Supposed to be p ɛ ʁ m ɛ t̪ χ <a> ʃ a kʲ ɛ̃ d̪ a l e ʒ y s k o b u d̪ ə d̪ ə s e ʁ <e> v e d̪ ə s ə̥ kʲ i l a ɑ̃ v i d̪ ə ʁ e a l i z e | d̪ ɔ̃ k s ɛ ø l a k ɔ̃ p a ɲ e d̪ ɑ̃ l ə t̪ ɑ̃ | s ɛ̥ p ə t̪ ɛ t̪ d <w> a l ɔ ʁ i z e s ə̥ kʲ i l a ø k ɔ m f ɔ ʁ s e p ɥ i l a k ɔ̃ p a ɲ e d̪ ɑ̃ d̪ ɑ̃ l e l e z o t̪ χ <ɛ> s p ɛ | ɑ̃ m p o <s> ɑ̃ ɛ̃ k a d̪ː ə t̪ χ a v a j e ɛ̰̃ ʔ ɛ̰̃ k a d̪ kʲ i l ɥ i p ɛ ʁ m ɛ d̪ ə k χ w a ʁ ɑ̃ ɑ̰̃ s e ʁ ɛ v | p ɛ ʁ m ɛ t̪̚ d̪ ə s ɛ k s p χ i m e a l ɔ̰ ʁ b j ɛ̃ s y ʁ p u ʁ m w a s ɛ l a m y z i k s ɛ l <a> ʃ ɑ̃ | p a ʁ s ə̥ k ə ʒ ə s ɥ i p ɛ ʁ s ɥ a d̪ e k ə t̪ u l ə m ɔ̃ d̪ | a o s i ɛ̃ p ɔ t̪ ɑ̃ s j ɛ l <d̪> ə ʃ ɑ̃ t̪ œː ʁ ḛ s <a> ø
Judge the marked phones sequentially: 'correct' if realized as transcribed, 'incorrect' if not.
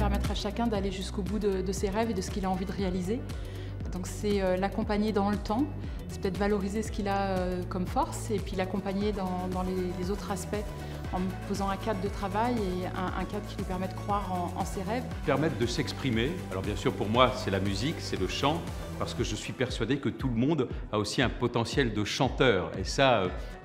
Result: correct, incorrect, incorrect, incorrect, incorrect, incorrect, correct, correct

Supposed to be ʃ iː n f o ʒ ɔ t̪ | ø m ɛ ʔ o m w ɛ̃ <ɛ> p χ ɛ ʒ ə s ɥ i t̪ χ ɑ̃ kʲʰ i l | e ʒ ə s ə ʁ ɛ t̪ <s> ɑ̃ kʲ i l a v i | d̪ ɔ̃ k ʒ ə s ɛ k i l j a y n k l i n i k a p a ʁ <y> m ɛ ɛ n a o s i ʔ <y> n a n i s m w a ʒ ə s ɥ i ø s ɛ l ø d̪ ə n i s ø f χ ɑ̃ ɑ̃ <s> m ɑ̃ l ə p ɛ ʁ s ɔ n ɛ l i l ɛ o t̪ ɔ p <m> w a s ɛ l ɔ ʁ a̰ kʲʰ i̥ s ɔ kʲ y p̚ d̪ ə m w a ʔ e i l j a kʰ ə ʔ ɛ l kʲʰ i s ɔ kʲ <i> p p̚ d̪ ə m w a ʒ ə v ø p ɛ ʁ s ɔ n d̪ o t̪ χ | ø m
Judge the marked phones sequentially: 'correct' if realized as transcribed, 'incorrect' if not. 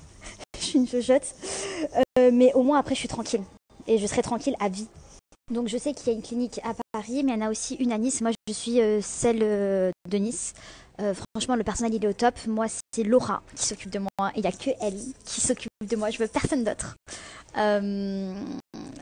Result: incorrect, incorrect, incorrect, correct, incorrect, correct, incorrect

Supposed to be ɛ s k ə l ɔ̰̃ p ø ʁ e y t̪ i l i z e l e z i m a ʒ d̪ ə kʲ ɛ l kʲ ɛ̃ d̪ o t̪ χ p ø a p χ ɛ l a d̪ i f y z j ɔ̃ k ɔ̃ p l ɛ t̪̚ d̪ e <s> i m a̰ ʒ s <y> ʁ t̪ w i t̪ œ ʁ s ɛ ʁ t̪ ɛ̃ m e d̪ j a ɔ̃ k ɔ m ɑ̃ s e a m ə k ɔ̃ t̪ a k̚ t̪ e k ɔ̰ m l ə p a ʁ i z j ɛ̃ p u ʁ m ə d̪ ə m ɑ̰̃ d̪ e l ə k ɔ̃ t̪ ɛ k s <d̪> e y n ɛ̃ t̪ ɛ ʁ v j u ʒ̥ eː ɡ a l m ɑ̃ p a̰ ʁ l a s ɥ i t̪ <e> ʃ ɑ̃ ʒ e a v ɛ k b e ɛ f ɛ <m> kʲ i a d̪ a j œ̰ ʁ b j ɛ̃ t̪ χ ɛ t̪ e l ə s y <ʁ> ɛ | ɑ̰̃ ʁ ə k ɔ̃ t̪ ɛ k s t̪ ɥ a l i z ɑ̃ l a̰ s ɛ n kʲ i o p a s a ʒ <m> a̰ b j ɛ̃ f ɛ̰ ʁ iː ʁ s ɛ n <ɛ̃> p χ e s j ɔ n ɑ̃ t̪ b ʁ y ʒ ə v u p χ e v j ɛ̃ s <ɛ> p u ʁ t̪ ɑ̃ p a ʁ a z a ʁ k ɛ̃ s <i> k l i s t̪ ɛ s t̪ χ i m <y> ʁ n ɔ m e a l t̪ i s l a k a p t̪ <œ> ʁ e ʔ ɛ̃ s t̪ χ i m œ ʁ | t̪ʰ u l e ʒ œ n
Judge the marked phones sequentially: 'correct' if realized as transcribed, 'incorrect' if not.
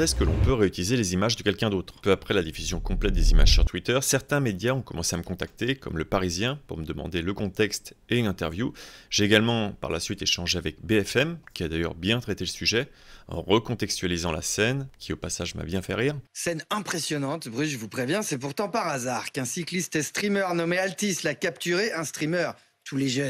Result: incorrect, correct, incorrect, correct, correct, incorrect, correct, correct, correct, correct, incorrect, incorrect

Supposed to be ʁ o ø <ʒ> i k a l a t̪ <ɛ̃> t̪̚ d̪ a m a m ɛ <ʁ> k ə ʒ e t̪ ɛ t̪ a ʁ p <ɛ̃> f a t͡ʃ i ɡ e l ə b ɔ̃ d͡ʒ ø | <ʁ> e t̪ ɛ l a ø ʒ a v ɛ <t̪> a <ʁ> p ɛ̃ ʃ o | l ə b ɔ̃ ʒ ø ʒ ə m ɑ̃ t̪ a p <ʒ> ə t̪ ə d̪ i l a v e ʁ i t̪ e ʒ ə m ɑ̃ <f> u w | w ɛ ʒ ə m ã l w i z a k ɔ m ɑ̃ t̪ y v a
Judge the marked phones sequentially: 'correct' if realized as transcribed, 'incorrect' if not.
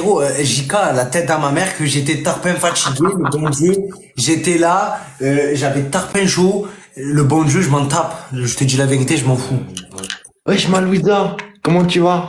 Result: correct, incorrect, correct, correct, incorrect, correct, correct, correct, correct

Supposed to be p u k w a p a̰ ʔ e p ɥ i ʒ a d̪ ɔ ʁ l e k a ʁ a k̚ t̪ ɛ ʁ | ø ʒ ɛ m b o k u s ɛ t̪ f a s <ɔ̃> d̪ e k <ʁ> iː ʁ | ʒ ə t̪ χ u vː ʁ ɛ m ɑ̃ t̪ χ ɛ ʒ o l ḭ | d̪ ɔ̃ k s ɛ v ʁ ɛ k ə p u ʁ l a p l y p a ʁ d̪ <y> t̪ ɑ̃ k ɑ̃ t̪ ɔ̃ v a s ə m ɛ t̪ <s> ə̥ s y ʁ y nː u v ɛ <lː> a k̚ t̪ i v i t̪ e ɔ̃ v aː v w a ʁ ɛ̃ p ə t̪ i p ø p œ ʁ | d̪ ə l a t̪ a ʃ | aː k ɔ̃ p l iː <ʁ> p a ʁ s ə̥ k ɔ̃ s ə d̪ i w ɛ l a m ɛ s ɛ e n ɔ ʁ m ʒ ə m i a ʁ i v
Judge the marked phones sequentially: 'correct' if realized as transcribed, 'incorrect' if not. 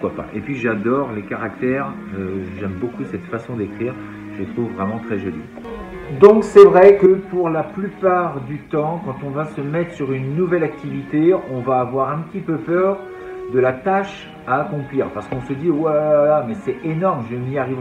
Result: correct, incorrect, correct, incorrect, incorrect, correct

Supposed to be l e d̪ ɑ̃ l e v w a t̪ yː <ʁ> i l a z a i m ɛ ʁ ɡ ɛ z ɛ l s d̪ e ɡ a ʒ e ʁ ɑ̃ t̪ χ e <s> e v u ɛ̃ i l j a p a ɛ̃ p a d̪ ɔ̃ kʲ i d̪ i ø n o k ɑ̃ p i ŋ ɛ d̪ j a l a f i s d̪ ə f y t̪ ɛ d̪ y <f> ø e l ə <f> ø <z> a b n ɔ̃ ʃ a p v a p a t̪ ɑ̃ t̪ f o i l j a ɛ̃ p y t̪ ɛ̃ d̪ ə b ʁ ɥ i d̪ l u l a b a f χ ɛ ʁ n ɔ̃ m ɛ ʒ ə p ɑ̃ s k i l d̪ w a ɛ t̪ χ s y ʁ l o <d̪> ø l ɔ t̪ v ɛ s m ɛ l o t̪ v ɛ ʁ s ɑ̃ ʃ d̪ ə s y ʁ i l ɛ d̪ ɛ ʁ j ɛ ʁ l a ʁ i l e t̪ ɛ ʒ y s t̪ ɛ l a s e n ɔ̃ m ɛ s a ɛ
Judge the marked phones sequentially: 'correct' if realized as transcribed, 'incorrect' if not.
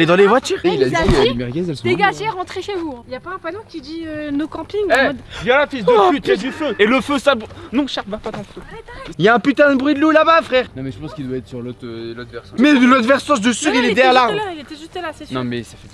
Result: correct, incorrect, correct, correct, incorrect, incorrect

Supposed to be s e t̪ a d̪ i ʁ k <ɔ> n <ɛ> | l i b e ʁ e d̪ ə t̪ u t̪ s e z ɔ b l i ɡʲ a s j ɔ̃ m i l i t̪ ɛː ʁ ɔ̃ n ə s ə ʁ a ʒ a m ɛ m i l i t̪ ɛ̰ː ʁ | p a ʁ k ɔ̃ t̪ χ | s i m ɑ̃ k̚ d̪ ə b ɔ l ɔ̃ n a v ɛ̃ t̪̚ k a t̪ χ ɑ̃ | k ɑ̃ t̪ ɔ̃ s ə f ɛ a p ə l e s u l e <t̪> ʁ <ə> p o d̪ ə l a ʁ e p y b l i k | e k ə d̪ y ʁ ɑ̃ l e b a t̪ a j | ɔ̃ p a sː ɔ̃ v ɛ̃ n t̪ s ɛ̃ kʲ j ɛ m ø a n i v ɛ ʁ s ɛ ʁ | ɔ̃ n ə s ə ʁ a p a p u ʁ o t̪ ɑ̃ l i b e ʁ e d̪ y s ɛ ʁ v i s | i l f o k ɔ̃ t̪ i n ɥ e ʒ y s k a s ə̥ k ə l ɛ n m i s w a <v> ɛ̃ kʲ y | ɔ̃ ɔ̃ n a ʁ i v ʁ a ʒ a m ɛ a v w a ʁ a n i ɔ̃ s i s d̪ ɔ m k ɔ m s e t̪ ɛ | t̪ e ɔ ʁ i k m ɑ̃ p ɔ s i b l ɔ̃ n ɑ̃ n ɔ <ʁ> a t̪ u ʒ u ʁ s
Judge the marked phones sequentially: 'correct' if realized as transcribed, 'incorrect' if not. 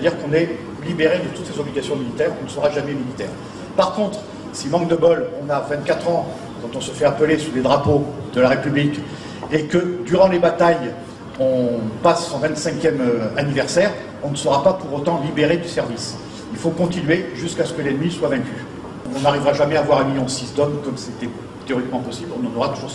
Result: incorrect, correct, incorrect, incorrect, correct, correct

